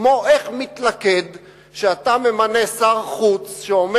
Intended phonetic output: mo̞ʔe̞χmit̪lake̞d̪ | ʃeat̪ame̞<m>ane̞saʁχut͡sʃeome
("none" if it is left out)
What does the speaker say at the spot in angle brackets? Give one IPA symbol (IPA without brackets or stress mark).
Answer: m